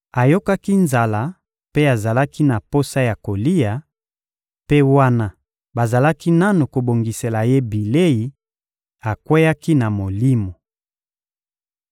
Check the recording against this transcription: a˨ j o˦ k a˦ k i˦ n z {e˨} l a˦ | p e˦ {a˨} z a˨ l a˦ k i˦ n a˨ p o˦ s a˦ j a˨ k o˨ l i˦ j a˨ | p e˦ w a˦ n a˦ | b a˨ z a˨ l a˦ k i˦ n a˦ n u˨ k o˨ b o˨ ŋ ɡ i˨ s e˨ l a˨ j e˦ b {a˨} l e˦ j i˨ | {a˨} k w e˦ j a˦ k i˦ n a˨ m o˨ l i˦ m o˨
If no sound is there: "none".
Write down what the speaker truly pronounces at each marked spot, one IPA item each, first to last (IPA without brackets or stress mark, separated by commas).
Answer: a˨, a˨, i˨, a˨